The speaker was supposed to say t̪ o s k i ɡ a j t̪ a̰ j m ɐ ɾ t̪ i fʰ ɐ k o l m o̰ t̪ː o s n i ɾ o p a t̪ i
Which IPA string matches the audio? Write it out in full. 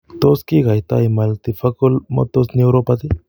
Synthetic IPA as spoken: t̪ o s k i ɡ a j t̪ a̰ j m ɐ l t̪ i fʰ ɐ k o l m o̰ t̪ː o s n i ɾ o p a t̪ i